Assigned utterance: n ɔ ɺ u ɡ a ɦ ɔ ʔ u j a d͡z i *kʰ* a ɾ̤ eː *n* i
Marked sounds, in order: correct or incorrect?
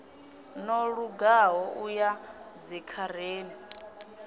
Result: correct, correct

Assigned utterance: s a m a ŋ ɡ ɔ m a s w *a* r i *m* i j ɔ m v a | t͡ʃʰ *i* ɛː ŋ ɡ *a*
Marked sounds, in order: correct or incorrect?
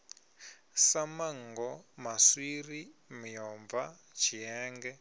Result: incorrect: i, correct, correct, incorrect: ɛ

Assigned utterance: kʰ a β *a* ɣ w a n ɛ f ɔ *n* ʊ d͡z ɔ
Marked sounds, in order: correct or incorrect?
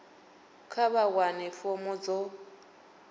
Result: correct, incorrect: m

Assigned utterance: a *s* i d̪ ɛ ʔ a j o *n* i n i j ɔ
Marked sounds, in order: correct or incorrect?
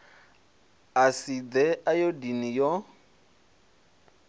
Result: correct, incorrect: d

